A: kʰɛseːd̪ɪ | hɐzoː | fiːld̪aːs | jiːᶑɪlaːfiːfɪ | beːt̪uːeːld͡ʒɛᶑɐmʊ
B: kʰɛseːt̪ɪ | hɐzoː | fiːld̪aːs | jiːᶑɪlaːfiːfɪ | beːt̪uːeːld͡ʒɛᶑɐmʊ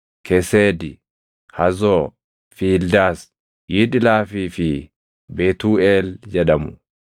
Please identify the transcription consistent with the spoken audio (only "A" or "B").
A